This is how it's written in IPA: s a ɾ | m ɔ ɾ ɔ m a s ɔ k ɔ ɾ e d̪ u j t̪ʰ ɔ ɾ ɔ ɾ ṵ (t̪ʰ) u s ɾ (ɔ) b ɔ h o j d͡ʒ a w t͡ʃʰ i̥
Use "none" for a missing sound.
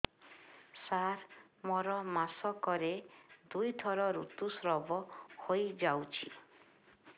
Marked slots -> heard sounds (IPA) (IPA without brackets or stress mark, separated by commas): t̪, ɔ